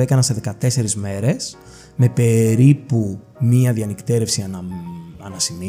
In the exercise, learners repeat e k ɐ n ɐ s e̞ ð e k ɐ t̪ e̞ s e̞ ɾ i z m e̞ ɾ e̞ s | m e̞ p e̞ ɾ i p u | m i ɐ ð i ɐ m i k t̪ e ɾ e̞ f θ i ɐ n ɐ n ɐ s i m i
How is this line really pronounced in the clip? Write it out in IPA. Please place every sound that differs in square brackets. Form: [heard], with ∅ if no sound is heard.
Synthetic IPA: e k ɐ n ɐ s e̞ ð e k ɐ t̪ e̞ s e̞ ɾ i z m e̞ ɾ e̞ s | m e̞ p e̞ ɾ i p u | m i ɐ ð i ɐ [n] i k t̪ e ɾ e̞ f [s] i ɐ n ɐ n ɐ s i m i